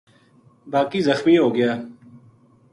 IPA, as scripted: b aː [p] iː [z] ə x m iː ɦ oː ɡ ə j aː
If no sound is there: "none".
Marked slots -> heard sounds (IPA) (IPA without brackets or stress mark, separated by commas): k, z